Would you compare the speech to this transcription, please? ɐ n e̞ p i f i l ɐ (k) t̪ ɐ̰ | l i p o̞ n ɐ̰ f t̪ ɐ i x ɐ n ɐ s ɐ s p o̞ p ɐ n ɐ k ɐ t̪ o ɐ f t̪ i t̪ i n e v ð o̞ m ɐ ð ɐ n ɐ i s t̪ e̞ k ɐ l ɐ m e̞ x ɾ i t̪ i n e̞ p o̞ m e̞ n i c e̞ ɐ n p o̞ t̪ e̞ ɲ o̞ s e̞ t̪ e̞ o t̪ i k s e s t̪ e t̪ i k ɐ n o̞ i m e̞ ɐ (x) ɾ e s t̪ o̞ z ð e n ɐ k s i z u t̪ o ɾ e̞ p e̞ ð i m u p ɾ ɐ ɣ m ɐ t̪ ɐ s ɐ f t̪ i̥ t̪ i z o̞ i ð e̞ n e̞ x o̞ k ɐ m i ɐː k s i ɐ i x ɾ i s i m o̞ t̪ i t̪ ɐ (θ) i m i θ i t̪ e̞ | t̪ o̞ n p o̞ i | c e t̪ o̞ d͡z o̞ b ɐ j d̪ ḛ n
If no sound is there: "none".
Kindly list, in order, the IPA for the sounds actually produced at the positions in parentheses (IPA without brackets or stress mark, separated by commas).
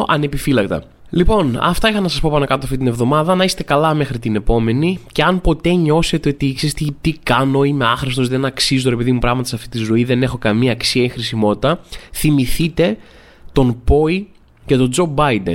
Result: k, x, θ